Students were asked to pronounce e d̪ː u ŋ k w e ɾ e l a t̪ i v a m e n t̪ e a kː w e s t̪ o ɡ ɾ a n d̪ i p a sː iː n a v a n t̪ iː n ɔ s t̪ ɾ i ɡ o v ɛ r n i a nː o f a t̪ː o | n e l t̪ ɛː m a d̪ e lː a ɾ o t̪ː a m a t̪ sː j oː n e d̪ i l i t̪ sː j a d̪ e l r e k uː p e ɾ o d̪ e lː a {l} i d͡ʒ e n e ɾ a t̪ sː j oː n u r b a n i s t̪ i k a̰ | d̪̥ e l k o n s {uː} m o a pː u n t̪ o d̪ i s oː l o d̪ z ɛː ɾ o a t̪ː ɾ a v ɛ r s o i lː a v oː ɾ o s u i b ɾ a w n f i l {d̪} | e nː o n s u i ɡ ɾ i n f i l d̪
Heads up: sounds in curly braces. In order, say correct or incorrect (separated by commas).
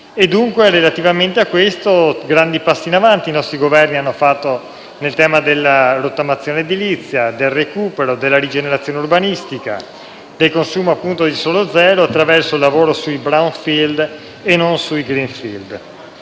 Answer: incorrect, correct, correct